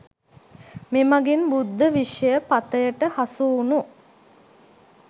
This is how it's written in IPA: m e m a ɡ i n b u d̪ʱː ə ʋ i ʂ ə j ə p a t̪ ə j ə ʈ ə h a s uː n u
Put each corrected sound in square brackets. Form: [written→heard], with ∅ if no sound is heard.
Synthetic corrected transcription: m e m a ɡ i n b u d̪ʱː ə ʋ i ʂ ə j ə p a t̪ ə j ə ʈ ə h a s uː n u